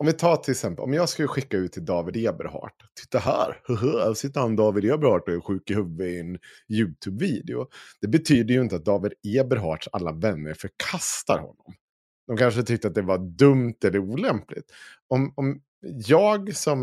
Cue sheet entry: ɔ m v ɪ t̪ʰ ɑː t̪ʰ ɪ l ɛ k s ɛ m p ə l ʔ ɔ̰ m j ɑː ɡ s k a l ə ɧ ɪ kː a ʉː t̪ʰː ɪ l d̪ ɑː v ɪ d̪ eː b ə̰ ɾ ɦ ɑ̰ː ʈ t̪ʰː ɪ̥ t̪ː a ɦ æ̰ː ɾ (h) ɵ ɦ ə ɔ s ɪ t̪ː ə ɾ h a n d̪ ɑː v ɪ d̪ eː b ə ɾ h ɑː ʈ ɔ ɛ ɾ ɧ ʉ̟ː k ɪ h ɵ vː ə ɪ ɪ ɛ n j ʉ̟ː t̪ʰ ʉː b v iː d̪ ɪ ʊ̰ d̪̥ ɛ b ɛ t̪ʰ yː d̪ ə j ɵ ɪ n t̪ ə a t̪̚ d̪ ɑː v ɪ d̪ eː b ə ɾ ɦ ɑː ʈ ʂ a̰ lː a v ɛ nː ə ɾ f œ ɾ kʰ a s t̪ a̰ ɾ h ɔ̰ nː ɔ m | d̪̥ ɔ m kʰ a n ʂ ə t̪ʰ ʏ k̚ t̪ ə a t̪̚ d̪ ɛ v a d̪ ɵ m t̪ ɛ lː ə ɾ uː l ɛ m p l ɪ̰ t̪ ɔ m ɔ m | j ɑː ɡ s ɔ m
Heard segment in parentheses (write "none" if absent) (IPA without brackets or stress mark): h